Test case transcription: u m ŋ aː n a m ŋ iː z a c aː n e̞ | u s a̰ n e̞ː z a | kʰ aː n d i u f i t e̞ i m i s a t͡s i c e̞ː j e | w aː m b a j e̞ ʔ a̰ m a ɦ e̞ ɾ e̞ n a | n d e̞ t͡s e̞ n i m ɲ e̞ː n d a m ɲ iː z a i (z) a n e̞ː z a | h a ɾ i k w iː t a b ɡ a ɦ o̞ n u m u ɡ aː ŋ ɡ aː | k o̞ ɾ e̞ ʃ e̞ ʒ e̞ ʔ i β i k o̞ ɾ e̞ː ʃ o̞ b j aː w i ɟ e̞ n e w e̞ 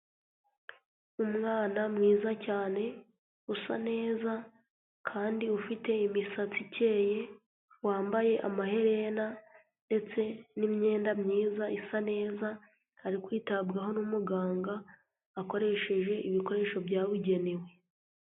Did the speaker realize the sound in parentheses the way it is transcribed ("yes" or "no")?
no